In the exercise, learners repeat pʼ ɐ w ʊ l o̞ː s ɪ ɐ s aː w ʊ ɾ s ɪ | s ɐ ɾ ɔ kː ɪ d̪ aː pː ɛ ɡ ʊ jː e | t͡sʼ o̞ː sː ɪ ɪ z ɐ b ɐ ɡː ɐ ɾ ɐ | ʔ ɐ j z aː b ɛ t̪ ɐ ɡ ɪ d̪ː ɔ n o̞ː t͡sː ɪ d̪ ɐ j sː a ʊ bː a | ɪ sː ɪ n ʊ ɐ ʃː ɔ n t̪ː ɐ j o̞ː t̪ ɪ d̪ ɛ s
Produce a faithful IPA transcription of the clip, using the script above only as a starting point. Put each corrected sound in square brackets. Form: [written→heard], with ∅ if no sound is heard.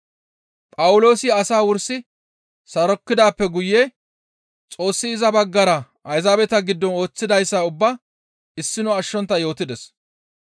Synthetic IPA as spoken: pʼ ɐ w ʊ l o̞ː s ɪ ɐ s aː w ʊ ɾ s ɪ | s ɐ ɾ ɔ kː ɪ d̪ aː pː ɛ ɡ ʊ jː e | t͡sʼ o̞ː sː ɪ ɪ z ɐ b ɐ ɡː ɐ ɾ ɐ | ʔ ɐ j z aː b ɛ t̪ ɐ ɡ ɪ d̪ː ɔ n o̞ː t͡sː ɪ d̪ ɐ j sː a ʊ bː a | ɪ sː ɪ n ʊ ɐ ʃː ɔ n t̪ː ɐ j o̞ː t̪ ɪ d̪ ɛ s

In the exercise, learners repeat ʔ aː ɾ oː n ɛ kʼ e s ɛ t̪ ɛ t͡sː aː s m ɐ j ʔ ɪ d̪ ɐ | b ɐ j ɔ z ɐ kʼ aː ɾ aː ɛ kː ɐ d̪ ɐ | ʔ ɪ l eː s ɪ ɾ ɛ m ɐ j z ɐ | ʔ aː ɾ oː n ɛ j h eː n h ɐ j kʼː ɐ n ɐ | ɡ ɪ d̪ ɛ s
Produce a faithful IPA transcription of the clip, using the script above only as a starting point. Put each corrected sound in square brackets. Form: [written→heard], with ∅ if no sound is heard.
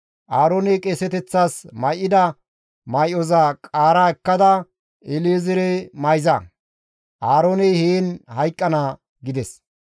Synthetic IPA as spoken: ʔ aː ɾ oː n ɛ kʼ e s ɛ t̪ ɛ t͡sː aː s m ɐ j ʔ ɪ d̪ ɐ | [b→m] ɐ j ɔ z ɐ kʼ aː ɾ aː ɛ kː ɐ d̪ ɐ | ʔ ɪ l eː [s→z] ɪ ɾ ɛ m ɐ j z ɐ | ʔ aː ɾ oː n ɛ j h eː n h ɐ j kʼː ɐ n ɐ | ɡ ɪ d̪ ɛ s

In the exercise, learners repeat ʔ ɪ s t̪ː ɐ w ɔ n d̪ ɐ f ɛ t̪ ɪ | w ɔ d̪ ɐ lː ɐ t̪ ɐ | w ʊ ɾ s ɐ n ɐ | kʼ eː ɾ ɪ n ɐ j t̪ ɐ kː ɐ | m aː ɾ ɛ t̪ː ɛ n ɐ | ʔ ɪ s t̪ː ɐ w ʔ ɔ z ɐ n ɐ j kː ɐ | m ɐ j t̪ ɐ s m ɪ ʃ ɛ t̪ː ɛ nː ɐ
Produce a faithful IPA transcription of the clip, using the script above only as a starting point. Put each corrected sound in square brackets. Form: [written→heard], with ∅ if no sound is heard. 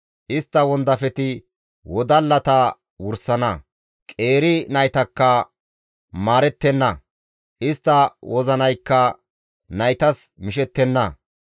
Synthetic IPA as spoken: ʔ ɪ s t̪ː ɐ w ɔ n d̪ ɐ f ɛ t̪ ɪ | w ɔ d̪ ɐ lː ɐ t̪ ɐ | w ʊ ɾ s ɐ n ɐ | kʼ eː ɾ ɪ n ɐ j t̪ ɐ kː ɐ | m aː ɾ ɛ t̪ː ɛ [n→nː] ɐ | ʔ ɪ s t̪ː ɐ w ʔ ɔ z ɐ n ɐ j kː ɐ | [m→n] ɐ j t̪ ɐ s m ɪ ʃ ɛ t̪ː ɛ nː ɐ

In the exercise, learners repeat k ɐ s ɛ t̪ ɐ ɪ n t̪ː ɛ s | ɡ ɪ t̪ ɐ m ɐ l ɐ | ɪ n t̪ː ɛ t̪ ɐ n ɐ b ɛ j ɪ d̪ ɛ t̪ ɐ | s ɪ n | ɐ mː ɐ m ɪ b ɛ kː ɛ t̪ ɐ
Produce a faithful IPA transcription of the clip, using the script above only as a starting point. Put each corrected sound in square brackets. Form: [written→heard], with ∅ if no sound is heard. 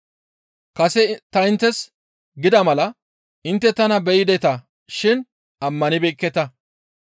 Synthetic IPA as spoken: k ɐ s ɛ t̪ ɐ ɪ n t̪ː ɛ s | ɡ ɪ [t̪→d̪] ɐ m ɐ l ɐ | ɪ n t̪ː ɛ t̪ ɐ n ɐ b ɛ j ɪ d̪ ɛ t̪ ɐ | [s→ʃ] ɪ n | ɐ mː ɐ [m→n] ɪ b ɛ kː ɛ t̪ ɐ

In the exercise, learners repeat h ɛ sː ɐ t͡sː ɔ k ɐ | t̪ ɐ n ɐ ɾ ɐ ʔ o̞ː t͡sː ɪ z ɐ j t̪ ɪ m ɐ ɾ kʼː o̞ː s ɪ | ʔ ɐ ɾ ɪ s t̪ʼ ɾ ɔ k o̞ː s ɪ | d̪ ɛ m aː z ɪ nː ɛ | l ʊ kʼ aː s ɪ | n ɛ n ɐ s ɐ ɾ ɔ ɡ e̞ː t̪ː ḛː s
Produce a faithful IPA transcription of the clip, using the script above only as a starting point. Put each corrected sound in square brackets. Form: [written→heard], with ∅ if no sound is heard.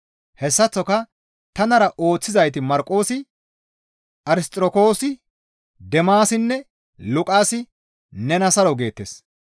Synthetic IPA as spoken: h ɛ sː ɐ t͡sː ɔ k ɐ | t̪ ɐ n ɐ ɾ ɐ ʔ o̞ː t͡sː ɪ z ɐ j t̪ ɪ m ɐ ɾ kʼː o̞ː s ɪ | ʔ ɐ ɾ ɪ s t̪ʼ ɾ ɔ k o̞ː s ɪ | d̪ ɛ m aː [z→s] ɪ nː ɛ | l ʊ kʼ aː s ɪ | n ɛ n ɐ s ɐ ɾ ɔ ɡ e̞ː t̪ː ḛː s

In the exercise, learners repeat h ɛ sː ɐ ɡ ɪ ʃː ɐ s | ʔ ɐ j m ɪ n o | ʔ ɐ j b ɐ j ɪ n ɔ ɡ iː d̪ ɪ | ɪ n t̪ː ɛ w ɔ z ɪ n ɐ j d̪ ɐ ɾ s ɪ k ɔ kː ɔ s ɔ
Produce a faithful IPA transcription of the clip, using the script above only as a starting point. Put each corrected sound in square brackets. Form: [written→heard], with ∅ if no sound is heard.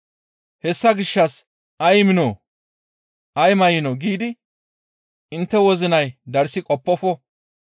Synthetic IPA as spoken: h ɛ sː ɐ ɡ ɪ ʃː ɐ s | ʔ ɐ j m ɪ n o | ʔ ɐ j [b→m] ɐ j ɪ n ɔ ɡ iː d̪ ɪ | ɪ n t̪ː ɛ w ɔ z ɪ n ɐ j d̪ ɐ ɾ s ɪ [k→kʼ] ɔ [kː→pː] ɔ [s→f] ɔ

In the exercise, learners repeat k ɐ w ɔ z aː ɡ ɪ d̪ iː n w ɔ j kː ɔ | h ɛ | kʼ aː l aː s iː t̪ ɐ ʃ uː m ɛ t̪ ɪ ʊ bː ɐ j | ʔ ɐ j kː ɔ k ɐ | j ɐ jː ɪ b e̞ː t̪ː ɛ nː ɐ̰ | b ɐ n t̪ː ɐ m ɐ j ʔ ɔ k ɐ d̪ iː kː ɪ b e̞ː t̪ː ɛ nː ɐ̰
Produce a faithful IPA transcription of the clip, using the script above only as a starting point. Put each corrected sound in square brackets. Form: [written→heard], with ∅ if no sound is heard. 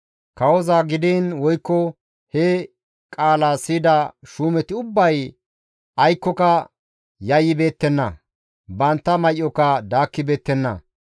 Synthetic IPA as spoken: k ɐ w ɔ z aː ɡ ɪ d̪ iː n w ɔ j kː ɔ | h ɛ | kʼ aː l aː s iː [t̪→d̪] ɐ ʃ uː m ɛ t̪ ɪ ʊ bː ɐ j | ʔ ɐ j kː ɔ k ɐ | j ɐ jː ɪ b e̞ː t̪ː ɛ nː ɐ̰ | b ɐ n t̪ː ɐ m ɐ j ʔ ɔ k ɐ d̪ [iː→aː] kː ɪ b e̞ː t̪ː ɛ nː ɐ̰

